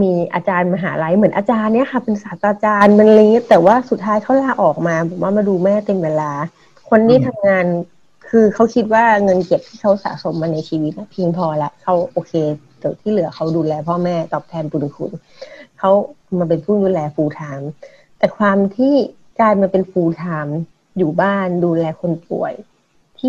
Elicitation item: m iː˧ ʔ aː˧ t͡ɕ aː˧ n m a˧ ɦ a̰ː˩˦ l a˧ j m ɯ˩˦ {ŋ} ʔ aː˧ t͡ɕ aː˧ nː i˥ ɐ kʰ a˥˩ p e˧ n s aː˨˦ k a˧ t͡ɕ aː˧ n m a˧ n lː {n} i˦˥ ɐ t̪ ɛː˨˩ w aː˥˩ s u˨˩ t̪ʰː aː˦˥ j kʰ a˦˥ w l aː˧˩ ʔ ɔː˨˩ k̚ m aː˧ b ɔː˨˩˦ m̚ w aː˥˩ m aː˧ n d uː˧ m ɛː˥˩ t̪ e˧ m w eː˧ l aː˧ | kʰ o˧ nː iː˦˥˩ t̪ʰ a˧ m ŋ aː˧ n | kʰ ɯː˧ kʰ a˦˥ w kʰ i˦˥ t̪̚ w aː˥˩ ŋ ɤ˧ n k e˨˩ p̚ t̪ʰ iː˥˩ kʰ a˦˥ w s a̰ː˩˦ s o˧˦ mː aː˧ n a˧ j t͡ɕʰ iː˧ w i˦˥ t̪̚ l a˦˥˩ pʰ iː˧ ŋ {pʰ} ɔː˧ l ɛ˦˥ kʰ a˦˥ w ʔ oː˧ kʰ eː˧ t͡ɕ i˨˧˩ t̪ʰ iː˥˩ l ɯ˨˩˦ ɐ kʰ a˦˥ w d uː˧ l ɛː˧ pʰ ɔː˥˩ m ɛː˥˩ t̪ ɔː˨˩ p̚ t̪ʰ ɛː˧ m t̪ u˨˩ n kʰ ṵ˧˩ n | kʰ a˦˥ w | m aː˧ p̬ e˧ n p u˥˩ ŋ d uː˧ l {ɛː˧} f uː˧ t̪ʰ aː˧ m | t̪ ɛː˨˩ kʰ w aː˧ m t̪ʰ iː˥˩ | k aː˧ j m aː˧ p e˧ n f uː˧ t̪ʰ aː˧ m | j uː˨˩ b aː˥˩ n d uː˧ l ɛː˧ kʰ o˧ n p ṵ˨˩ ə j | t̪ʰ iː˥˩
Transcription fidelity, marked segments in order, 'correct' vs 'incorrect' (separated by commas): incorrect, incorrect, correct, correct